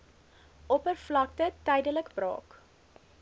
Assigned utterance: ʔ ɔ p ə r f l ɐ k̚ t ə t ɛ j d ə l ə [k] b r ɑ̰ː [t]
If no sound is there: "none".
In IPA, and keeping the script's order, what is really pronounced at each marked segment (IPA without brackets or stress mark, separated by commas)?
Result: k, k